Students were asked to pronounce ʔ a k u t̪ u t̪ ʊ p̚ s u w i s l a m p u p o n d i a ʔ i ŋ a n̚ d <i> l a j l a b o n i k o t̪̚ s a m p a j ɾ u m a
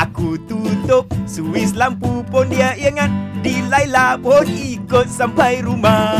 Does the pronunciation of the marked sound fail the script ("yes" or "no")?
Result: no